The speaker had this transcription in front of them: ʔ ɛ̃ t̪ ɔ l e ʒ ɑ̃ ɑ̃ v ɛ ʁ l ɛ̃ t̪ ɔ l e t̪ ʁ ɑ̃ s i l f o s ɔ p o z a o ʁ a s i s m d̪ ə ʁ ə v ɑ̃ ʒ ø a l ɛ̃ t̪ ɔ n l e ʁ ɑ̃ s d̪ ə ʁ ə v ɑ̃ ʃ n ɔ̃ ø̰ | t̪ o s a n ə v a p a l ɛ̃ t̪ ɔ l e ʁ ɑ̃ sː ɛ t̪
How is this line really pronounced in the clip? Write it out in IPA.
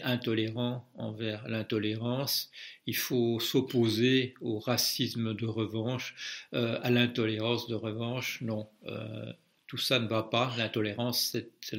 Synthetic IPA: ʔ ɛ̃ t̪ ɔ l e ʁ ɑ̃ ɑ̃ v ɛ ʁ l ɛ̃ t̪ ɔ l e ʁ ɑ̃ s i l f o s ɔ p o z e o ʁ a s i s m d̪ ə ʁ ə v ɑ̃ ʃ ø a l ɛ̃ t̪ ɔ l e ʁ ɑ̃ s d̪ ə ʁ ə v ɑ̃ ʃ n ɔ̃ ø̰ | t̪ u s a n ə v a p a l ɛ̃ t̪ ɔ l e ʁ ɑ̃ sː ɛ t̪